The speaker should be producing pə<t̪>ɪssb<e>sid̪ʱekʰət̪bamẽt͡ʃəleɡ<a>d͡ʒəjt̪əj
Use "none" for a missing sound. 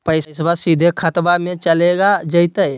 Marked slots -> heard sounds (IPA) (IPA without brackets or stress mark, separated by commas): none, a, a